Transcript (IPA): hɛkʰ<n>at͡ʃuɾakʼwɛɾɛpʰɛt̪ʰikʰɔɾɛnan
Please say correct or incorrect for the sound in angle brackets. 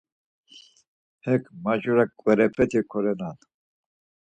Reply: incorrect